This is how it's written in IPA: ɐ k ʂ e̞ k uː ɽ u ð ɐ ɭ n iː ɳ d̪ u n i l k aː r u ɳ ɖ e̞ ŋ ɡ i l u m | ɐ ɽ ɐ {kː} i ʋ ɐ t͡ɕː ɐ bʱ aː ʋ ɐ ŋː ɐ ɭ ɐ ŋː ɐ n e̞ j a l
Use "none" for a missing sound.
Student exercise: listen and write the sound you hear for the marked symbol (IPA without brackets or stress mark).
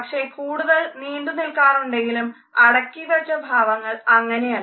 kː